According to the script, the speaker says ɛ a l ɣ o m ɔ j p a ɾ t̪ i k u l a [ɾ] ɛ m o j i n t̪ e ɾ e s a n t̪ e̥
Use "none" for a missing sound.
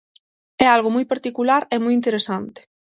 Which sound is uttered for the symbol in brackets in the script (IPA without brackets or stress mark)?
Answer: ɾ